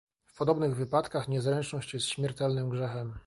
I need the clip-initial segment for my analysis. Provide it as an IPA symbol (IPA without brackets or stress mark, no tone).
f